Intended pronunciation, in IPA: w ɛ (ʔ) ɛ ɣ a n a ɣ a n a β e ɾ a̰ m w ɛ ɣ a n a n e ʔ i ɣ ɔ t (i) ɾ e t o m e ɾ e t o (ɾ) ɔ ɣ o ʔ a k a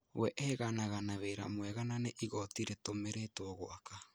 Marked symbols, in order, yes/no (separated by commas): yes, yes, no